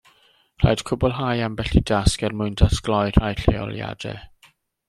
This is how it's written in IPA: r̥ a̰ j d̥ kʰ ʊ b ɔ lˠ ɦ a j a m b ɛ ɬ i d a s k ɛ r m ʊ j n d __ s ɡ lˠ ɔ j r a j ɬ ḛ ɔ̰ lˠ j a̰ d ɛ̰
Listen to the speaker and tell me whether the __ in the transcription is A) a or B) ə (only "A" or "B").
A